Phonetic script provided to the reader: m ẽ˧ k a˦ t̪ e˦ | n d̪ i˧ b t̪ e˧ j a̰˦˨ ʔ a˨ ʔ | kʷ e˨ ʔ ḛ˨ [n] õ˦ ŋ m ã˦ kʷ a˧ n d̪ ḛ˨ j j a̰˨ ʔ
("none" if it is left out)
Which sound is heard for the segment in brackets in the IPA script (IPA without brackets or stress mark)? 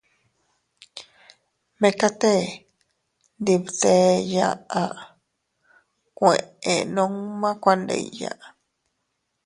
n